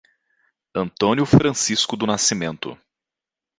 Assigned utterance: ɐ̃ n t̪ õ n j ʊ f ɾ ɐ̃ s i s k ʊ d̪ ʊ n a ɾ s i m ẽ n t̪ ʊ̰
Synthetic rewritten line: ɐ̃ n t̪ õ n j ʊ f ɾ ɐ̃ s i s k ʊ d̪ ʊ n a s i m ẽ n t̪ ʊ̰